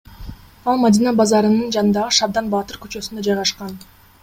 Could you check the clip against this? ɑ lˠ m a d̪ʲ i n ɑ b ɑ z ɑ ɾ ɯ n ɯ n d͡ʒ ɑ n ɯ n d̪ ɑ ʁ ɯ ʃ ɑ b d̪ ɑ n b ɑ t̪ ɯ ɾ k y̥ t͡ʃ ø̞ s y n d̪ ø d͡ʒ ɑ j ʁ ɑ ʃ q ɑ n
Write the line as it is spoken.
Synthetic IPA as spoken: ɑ lˠ m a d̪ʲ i n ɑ b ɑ z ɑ ɾ ɯ n ɯ n d͡ʒ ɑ n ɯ n d̪ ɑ ʁ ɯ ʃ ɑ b d̪ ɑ n b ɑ t̪ ɯ ɾ k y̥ t͡ʃ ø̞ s y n d̪ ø d͡ʒ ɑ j ʁ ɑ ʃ q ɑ n